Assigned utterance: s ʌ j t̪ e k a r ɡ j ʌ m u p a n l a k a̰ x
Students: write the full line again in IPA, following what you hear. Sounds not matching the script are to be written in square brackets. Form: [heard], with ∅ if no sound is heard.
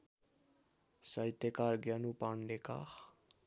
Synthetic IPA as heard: s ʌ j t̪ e k a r ɡ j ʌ [n] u p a n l [e] k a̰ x